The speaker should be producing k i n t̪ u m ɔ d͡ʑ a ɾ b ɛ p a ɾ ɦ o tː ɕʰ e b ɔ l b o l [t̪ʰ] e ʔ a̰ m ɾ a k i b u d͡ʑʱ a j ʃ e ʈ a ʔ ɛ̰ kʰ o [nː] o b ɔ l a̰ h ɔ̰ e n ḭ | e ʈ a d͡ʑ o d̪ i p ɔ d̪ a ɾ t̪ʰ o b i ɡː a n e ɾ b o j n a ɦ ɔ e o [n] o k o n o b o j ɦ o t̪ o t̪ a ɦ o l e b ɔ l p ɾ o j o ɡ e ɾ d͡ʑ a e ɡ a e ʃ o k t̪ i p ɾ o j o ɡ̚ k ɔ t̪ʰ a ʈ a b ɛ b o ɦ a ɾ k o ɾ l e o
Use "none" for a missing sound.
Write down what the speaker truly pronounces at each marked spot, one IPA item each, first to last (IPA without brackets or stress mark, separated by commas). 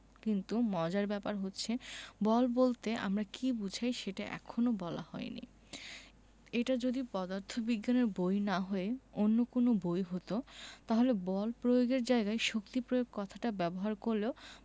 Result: t̪, n, nː